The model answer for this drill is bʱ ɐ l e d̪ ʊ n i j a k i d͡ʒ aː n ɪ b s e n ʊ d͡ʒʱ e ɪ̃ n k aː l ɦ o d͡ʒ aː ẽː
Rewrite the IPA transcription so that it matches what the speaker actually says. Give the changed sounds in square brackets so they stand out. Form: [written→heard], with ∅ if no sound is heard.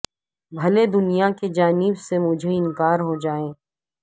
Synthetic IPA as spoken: bʱ ɐ l e d̪ ʊ n i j a k [i→e] d͡ʒ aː n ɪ b s e [n→m] ʊ d͡ʒʱ e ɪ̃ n k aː [l→ɾ] ɦ o d͡ʒ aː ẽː